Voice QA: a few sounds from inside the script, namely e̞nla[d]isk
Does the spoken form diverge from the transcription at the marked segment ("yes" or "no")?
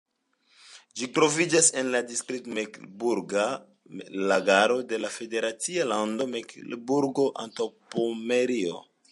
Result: no